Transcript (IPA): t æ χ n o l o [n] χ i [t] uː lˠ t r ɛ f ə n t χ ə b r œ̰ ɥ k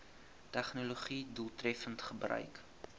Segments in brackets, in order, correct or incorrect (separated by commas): incorrect, incorrect